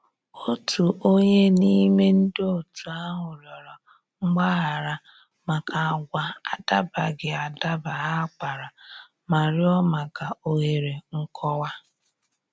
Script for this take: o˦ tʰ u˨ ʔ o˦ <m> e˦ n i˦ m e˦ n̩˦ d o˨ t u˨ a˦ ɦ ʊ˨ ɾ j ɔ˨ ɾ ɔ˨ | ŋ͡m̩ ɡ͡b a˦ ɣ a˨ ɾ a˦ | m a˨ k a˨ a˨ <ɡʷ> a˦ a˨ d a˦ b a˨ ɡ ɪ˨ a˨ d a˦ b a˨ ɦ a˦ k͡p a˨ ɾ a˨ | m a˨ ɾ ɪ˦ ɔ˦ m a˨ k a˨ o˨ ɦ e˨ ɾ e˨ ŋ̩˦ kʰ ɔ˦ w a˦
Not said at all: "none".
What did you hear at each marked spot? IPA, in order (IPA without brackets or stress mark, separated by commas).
ɲ, ɡʷ